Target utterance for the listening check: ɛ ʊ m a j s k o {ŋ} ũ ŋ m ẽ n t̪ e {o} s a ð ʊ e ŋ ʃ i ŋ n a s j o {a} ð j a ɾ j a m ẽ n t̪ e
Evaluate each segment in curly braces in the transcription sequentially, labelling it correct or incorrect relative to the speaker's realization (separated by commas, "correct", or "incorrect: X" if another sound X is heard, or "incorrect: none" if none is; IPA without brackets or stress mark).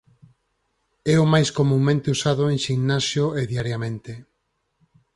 incorrect: m, incorrect: u, incorrect: e